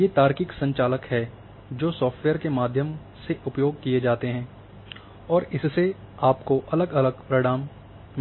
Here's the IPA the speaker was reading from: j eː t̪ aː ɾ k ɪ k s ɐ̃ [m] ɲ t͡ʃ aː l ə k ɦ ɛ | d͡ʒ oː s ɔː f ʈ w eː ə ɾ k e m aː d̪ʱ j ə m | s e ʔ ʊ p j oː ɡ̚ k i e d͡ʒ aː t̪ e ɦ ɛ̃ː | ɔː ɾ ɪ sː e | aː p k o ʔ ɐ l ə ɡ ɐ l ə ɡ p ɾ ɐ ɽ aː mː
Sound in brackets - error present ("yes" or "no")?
yes